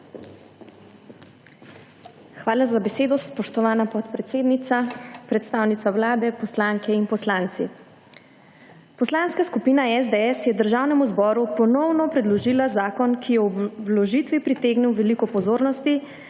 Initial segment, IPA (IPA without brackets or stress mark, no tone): x